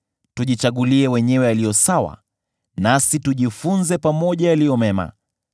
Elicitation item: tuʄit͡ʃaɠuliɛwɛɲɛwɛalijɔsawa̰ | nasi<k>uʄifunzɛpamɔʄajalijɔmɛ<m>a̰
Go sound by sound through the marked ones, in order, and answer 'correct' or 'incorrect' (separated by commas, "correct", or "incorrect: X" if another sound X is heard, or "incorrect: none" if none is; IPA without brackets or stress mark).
incorrect: t, correct